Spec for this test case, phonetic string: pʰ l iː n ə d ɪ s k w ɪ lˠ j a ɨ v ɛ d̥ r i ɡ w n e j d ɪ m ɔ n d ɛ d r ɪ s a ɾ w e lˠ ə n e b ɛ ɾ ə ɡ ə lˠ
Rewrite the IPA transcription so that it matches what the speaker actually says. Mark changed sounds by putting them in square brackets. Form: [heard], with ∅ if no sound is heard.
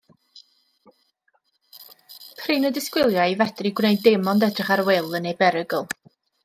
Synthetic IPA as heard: pʰ [r] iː n ə d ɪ s k w ɪ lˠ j a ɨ v ɛ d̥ r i ɡ w n e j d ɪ m ɔ n d ɛ d r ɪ [χ] a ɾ w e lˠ ə n e b ɛ ɾ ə ɡ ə lˠ